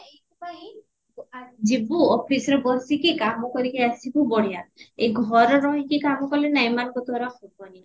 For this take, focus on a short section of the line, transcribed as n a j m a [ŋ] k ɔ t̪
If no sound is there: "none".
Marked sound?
n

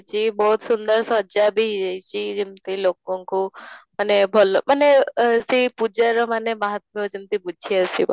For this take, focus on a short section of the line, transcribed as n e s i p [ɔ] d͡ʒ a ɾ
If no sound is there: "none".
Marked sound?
u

